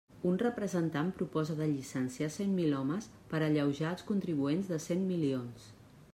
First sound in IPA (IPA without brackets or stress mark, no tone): u